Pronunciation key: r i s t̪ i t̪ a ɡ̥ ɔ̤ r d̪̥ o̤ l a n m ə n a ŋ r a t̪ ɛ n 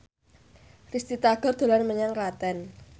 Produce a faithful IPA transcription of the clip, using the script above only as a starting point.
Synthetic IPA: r i s t̪ i t̪ a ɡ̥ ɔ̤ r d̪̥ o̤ l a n m ə ɲ a ŋ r a t̪ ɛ n